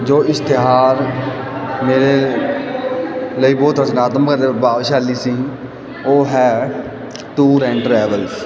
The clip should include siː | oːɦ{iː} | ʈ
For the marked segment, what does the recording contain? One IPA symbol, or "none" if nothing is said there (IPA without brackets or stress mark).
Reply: ɛː